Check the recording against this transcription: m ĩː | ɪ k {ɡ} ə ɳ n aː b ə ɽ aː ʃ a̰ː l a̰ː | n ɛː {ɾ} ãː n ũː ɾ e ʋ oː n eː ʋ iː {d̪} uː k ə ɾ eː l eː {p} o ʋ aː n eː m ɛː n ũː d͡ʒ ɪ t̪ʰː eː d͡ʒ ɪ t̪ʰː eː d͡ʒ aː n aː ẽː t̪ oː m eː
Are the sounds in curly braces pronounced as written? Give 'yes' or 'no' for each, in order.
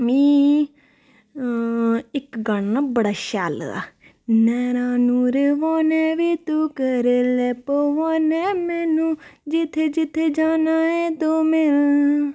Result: yes, yes, no, yes

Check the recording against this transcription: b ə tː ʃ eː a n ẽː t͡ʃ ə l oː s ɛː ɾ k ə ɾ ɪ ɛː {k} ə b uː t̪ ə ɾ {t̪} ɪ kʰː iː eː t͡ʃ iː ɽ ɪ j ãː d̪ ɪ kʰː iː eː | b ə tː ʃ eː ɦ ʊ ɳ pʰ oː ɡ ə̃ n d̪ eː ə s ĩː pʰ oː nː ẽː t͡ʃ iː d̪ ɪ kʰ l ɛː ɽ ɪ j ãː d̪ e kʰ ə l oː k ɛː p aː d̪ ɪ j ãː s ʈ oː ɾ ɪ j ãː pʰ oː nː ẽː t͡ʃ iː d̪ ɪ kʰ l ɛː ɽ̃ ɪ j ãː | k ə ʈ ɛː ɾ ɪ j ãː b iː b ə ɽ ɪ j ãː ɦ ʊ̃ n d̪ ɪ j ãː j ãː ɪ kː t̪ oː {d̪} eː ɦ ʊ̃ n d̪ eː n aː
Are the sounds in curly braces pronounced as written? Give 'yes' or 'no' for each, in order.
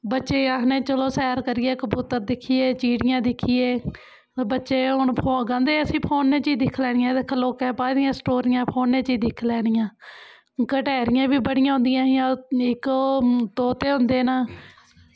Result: yes, no, no

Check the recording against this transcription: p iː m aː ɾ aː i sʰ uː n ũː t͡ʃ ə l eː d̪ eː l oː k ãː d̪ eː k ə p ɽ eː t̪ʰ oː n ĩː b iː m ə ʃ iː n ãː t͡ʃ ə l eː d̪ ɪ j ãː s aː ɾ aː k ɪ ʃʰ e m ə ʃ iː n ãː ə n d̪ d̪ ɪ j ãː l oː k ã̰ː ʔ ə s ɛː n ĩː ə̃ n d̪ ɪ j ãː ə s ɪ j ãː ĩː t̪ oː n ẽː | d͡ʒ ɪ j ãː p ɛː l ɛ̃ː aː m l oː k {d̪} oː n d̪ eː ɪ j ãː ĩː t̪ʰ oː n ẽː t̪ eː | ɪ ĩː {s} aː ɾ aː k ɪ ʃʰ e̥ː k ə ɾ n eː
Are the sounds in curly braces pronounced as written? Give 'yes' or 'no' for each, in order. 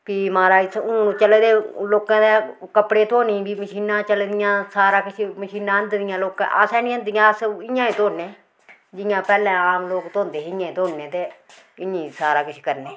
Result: no, yes

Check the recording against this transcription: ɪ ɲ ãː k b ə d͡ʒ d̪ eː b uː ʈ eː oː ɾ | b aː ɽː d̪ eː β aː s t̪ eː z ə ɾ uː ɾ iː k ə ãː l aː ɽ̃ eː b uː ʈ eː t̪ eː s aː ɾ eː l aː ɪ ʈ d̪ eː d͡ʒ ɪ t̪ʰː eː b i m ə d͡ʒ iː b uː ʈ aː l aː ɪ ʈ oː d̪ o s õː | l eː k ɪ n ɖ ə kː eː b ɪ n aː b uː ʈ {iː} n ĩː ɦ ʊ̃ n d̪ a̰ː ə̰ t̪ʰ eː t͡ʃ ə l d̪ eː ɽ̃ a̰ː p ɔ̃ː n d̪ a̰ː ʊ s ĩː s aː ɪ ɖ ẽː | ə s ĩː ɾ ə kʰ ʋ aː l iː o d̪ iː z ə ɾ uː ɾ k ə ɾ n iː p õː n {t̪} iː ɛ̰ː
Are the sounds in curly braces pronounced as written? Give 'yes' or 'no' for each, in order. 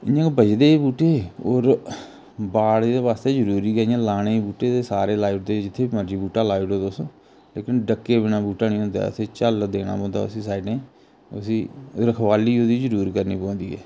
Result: no, no

